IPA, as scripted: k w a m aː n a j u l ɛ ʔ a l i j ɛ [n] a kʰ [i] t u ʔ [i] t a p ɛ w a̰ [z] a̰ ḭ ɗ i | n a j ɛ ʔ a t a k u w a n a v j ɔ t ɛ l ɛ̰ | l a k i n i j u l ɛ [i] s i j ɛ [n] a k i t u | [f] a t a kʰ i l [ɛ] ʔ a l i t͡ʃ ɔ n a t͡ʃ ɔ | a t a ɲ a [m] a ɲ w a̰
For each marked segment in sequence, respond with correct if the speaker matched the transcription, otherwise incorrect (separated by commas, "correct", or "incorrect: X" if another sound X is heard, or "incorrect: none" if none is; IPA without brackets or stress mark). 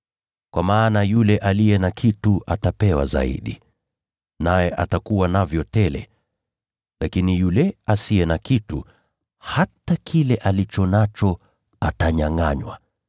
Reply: correct, correct, incorrect: a, correct, incorrect: a, correct, incorrect: h, correct, incorrect: ŋ